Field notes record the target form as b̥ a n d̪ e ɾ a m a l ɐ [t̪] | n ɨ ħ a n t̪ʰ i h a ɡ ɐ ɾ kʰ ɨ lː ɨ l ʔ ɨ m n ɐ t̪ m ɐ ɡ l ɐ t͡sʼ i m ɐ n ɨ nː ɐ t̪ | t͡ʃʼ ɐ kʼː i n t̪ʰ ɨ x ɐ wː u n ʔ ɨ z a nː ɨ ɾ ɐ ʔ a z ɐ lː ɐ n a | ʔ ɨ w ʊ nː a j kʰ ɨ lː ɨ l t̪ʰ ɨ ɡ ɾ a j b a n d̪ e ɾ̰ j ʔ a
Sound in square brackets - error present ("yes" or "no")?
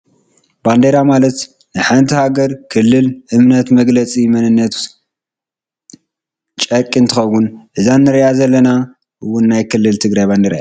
no